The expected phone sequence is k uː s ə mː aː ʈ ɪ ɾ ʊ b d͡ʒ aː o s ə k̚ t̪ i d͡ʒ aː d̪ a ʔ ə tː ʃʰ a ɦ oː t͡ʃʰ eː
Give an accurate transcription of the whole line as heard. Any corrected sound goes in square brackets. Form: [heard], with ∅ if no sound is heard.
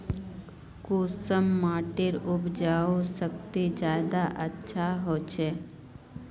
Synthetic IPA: k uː s ə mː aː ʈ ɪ ɾ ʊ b d͡ʒ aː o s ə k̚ t̪ i d͡ʒ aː d̪ a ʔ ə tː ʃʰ a ɦ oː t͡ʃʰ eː